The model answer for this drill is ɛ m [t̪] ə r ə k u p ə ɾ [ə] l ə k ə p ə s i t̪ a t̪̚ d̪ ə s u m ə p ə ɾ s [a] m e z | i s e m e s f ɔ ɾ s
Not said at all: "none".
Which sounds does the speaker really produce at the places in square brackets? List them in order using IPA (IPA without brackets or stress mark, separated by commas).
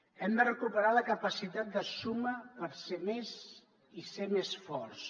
d̪, a, e